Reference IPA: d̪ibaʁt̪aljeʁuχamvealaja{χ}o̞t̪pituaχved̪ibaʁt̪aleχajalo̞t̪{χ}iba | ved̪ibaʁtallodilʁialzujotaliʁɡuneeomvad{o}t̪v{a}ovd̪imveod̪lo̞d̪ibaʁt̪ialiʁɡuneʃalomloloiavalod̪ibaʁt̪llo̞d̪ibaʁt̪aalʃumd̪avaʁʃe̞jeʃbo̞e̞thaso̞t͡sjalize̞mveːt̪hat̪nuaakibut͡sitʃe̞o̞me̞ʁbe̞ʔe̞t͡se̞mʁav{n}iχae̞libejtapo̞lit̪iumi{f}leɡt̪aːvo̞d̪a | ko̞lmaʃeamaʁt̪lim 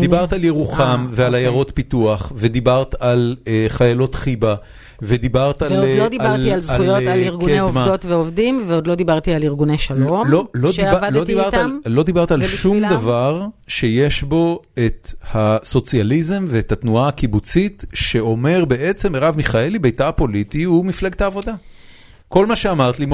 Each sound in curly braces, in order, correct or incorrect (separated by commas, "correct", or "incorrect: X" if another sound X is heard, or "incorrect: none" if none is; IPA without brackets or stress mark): incorrect: ʁ, correct, correct, incorrect: e, incorrect: m, correct